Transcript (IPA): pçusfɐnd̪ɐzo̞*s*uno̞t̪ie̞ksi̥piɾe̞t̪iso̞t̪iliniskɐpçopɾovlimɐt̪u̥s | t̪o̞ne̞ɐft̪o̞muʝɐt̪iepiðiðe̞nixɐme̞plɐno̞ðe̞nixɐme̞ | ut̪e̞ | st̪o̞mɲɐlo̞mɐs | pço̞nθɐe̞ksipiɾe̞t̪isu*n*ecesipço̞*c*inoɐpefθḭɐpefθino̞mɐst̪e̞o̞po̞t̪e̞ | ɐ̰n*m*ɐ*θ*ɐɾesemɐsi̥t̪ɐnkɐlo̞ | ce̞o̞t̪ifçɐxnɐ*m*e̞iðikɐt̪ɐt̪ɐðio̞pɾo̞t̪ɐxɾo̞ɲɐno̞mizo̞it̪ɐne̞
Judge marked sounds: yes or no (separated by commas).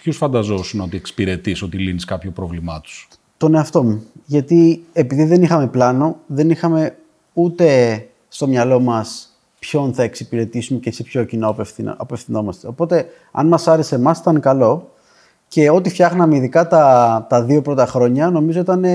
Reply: yes, no, yes, yes, no, yes